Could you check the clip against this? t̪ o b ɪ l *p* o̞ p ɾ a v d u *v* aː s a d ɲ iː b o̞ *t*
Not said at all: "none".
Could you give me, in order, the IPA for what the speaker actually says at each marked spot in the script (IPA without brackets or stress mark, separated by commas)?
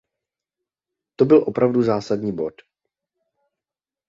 ʔ, z, t